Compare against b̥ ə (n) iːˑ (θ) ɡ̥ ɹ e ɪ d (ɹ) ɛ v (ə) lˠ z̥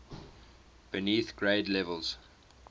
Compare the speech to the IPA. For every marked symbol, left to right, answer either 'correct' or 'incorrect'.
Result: correct, correct, incorrect: l, correct

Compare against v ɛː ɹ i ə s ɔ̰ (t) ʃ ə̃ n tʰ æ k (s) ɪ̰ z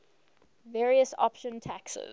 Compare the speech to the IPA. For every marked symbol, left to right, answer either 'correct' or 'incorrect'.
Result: incorrect: p, correct

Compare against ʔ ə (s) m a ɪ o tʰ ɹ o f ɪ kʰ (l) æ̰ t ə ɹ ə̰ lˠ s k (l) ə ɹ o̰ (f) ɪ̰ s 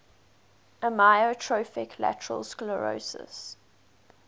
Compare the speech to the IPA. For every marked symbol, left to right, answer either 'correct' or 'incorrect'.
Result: incorrect: none, correct, correct, incorrect: s

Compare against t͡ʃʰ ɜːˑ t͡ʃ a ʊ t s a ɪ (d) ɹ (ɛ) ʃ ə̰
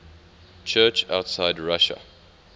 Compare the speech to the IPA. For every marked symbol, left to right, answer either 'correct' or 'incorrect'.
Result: correct, incorrect: a

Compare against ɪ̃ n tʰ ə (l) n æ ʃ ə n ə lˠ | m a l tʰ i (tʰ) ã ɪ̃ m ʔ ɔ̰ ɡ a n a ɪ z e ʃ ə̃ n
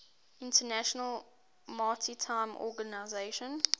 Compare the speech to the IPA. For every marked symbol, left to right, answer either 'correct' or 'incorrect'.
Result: incorrect: none, correct

